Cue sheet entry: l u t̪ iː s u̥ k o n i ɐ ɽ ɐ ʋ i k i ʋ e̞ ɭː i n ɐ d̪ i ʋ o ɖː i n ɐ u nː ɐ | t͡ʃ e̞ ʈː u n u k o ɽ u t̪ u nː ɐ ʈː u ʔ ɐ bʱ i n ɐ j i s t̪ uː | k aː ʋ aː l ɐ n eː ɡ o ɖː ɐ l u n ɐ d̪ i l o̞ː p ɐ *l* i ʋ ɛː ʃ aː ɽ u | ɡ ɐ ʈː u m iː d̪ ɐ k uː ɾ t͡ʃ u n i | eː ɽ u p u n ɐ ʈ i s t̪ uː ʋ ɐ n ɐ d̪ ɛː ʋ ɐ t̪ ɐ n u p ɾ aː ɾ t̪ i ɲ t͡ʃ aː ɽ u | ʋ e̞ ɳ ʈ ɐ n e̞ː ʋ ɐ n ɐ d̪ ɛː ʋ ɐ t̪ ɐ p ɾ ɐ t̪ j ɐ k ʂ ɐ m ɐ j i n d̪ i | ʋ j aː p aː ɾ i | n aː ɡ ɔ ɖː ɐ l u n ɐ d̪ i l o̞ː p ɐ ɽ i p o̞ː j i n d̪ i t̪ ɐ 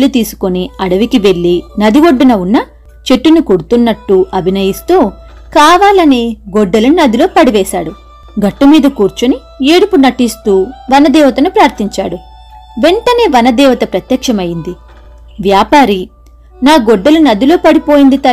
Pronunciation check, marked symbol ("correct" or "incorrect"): incorrect